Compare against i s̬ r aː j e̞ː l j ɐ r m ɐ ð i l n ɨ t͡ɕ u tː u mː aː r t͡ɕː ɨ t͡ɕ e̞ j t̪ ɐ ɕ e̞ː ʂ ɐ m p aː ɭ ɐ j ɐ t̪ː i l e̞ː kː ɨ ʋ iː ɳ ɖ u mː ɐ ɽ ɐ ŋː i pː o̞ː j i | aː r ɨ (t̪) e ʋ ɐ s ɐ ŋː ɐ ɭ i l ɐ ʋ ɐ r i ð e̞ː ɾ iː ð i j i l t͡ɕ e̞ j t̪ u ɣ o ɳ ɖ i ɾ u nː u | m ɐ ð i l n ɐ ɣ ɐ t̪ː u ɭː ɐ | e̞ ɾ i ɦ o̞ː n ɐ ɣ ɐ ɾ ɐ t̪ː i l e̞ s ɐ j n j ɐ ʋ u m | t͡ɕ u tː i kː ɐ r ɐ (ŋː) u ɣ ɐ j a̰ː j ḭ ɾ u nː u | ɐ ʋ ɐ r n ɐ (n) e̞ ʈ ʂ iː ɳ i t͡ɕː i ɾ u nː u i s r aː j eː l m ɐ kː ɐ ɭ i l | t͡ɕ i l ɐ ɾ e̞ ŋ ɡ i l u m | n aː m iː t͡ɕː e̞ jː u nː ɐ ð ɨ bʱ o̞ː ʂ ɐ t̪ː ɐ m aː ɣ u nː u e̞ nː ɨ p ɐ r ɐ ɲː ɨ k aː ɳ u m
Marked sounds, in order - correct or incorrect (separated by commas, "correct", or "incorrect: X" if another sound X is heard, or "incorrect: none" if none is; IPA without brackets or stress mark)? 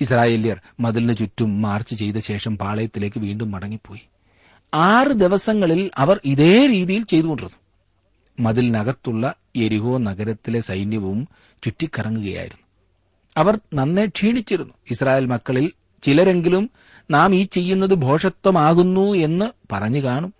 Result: incorrect: d̪, correct, incorrect: nː